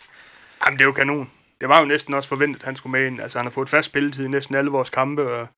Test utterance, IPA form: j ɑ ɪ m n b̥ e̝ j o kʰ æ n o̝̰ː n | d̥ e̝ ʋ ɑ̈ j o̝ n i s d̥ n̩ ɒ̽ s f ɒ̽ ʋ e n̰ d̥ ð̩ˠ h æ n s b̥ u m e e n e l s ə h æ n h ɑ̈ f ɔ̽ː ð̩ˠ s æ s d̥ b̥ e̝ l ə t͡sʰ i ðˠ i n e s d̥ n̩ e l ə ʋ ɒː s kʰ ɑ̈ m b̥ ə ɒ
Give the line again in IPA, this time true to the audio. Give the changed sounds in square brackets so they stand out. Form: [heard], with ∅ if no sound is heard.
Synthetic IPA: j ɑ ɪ m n [d̥] e̝ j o kʰ æ n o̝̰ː n | d̥ e̝ ʋ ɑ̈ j o̝ n [e] s d̥ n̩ ɒ̽ s f ɒ̽ ʋ e n̰ d̥ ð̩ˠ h æ n s [ɡ̥] u m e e n [æ] l s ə h æ n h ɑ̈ f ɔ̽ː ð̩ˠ [f] æ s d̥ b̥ e̝ l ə t͡sʰ i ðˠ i n e s d̥ n̩ [æ] l ə ʋ ɒː s kʰ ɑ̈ m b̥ ə ɒ